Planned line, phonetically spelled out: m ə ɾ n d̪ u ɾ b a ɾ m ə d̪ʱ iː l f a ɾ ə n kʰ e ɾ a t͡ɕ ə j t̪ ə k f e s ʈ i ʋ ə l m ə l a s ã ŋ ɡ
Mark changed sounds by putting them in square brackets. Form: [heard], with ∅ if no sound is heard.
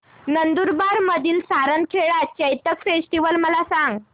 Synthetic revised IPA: [n] ə [∅] n d̪ u ɾ b a ɾ m ə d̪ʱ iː l [s] a ɾ ə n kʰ e [ɭ] a t͡ɕ ə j t̪ ə k f e s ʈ i ʋ ə l m ə l a s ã ŋ ɡ